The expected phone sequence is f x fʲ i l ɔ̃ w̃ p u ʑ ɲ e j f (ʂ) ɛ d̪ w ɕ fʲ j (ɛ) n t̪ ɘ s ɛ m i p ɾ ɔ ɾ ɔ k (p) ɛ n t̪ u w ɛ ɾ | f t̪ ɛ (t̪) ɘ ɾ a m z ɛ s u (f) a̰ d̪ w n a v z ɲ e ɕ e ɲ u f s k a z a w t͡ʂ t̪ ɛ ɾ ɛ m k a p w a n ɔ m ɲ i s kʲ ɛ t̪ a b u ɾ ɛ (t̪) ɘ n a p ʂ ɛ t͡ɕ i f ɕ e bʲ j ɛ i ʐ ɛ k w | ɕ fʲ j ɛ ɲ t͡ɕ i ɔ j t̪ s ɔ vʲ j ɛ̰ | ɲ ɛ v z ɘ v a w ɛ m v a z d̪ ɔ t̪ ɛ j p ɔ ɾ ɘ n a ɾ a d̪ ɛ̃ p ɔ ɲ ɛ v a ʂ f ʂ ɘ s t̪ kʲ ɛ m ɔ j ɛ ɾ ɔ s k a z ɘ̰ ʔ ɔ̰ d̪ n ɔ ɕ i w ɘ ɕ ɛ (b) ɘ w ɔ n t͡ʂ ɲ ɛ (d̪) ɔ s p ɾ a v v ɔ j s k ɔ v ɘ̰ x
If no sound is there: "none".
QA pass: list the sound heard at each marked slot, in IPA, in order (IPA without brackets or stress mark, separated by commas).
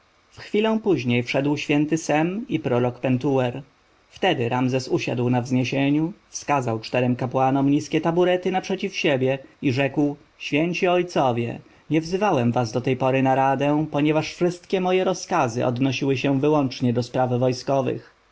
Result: ʂ, ɛ, p, d̪, ɕ, t̪, v, d̪